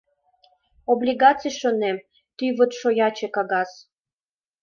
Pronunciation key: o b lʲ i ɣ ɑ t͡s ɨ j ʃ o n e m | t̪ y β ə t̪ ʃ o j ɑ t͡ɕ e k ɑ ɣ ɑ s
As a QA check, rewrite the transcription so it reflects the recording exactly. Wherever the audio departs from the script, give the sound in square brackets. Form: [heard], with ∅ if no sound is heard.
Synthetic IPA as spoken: o b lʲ i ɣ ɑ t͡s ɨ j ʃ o n e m | t̪ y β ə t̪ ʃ o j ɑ t͡ɕ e k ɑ ɣ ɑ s

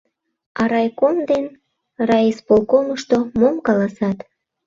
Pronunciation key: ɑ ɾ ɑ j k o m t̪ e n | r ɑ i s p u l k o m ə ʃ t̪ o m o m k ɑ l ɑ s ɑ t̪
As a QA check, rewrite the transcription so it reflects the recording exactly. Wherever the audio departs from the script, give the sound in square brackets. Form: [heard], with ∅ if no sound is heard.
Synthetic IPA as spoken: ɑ ɾ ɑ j k o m [d̪] e n | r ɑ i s p [o] l k o m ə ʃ t̪ o m o m k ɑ l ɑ s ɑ t̪

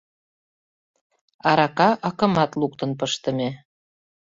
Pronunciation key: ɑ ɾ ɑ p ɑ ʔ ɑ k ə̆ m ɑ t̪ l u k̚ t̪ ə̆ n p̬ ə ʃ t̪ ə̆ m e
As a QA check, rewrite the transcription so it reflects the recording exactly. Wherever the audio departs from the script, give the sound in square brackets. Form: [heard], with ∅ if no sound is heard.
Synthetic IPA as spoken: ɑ ɾ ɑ [k] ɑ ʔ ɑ k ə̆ m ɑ t̪ l u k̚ t̪ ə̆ n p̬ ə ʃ t̪ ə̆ m e

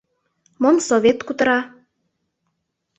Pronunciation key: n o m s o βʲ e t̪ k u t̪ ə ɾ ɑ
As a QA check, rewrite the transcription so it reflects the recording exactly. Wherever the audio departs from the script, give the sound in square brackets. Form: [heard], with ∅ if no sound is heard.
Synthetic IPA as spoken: [m] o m s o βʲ e t̪ k u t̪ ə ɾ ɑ

